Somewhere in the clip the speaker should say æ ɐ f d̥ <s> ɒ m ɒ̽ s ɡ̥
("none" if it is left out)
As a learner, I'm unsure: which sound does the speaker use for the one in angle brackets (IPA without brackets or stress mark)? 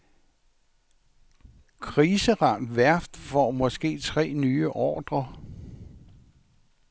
f